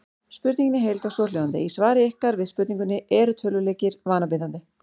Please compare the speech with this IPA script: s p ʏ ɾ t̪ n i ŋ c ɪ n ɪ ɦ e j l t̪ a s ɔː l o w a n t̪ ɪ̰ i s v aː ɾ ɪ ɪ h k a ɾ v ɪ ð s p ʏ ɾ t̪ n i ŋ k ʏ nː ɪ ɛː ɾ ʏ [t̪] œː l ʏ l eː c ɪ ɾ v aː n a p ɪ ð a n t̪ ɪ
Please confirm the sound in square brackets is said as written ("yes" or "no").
no